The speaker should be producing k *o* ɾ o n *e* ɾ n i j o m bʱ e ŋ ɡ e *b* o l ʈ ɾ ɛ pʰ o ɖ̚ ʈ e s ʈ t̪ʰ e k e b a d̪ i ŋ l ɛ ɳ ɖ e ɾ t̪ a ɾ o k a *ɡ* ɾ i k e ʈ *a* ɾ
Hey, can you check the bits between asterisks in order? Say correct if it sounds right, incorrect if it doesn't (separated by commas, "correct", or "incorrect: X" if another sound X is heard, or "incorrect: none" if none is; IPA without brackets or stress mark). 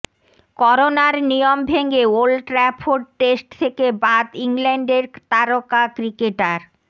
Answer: incorrect: ɔ, incorrect: a, incorrect: none, incorrect: k, correct